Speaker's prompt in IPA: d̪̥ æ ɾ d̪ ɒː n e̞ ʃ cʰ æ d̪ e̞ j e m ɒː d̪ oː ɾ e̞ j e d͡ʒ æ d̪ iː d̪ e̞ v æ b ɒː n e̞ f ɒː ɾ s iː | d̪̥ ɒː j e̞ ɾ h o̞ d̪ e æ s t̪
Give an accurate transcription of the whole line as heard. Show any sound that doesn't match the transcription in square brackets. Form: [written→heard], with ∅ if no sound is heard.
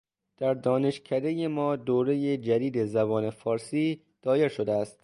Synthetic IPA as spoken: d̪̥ æ ɾ d̪ ɒː n e̞ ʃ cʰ æ d̪ e̞ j e m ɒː d̪ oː ɾ e̞ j e d͡ʒ æ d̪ iː d̪ e̞ [v→z] æ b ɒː n e̞ f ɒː ɾ s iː | d̪̥ ɒː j e̞ ɾ [h→ʃ] o̞ d̪ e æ s t̪